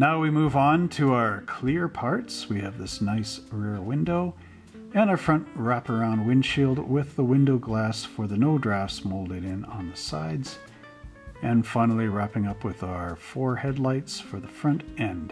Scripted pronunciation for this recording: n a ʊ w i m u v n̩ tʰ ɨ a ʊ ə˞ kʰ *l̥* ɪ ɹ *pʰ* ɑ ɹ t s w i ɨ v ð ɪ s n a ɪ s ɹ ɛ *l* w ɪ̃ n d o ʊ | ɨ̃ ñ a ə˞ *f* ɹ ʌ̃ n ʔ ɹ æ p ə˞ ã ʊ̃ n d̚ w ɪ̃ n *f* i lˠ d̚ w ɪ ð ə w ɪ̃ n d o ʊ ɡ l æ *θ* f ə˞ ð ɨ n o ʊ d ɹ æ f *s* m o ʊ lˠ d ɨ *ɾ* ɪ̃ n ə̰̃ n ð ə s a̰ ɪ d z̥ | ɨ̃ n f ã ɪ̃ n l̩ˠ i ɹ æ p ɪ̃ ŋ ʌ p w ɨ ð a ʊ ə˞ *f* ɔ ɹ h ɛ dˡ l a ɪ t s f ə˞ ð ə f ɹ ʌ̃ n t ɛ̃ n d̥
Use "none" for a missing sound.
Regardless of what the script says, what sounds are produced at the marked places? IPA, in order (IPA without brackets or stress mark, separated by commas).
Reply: l̥, pʰ, ɹ, f, ʃ, s, s, ɾ, f